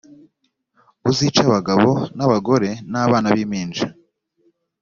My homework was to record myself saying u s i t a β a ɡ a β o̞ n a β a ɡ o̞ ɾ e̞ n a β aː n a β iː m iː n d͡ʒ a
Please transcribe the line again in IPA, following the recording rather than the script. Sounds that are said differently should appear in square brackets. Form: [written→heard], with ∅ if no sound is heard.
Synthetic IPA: u [s→z] i [t→t͡ʃ] a β a ɡ a β o̞ n a β a ɡ o̞ ɾ e̞ n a β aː n a β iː m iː n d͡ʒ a

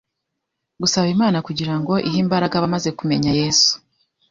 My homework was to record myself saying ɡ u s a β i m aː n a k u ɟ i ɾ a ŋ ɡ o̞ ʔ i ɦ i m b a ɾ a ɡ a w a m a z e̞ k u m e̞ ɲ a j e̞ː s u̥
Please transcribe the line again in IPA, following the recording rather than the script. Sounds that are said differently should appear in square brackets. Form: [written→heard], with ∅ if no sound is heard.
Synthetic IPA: ɡ u s a β i m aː n a k u ɟ i ɾ a ŋ ɡ o̞ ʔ i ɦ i m b a ɾ a ɡ a [w→β] a m a z e̞ k u m e̞ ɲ a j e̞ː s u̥

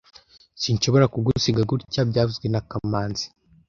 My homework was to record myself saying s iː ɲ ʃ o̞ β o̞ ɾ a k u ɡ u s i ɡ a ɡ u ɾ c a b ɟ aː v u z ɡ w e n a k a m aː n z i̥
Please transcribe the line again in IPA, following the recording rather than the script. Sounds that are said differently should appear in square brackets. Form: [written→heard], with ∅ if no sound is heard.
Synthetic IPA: s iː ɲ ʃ o̞ β o̞ ɾ a k u ɡ u s i ɡ a ɡ u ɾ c a b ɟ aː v u z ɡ w e n a k a m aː n z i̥

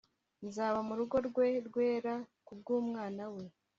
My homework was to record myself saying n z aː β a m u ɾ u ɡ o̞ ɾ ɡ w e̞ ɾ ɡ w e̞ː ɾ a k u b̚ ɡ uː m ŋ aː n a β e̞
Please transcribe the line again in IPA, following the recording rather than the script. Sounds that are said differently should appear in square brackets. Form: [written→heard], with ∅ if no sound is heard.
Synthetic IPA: n z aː β a m u ɾ u ɡ o̞ ɾ ɡ w e̞ ɾ ɡ w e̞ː ɾ a k u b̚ ɡ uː m ŋ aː n a [β→w] e̞

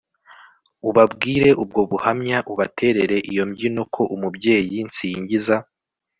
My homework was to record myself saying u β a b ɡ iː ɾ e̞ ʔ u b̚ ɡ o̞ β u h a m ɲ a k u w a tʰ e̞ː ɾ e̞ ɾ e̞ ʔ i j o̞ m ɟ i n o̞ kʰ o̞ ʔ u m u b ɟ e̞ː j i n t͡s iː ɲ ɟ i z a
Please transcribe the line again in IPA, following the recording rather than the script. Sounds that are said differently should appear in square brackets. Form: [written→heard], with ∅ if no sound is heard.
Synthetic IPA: u β a b ɡ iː ɾ e̞ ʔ u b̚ ɡ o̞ β u h a m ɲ a [k→ʔ] u [w→β] a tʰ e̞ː ɾ e̞ ɾ e̞ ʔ i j o̞ m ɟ i n o̞ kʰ o̞ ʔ u m u b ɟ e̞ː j i n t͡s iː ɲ ɟ i z a

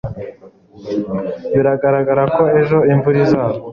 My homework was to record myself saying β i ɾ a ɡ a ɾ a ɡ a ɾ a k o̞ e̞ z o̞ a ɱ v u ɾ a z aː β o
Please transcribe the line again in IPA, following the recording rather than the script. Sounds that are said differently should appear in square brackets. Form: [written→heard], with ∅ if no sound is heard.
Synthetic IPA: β i ɾ a ɡ a ɾ a ɡ a ɾ a k o̞ e̞ [z→ʒ] o̞ [a→i] ɱ v u ɾ [a→i] z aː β o

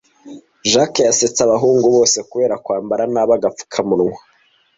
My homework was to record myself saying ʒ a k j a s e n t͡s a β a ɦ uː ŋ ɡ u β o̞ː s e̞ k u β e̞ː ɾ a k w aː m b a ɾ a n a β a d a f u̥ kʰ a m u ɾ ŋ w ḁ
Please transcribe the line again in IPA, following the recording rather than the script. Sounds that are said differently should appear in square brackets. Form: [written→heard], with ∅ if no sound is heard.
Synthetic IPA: ʒ a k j a s e [n→∅] t͡s a β a ɦ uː ŋ ɡ u β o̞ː s e̞ k u β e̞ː ɾ a k w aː m b a ɾ a n a β a [d→ɡ] a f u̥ kʰ a m u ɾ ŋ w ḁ

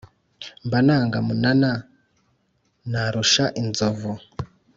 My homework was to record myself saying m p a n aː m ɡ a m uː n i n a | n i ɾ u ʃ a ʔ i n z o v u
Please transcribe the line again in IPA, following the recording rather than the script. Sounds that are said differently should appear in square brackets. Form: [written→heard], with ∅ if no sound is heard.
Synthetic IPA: m [p→b] a n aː [m→ŋ] ɡ a m [uː→u] n [i→a] n a | n [i→a] ɾ u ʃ a ʔ i n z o v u

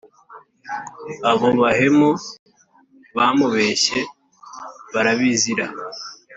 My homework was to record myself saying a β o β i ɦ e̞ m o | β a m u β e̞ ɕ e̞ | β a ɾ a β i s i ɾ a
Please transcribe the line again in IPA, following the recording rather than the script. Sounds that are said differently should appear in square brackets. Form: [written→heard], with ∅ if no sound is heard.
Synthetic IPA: a β o β [i→a] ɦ e̞ m o | β a m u β e̞ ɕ e̞ | β a ɾ a β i [s→z] i ɾ a

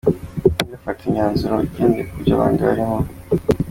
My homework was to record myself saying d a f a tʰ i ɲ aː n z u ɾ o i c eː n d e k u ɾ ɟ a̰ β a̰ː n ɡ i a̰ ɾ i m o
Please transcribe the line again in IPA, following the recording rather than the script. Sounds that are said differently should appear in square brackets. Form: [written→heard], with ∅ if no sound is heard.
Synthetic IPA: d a f a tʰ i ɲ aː n z u ɾ o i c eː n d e k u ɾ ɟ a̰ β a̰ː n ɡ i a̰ ɾ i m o

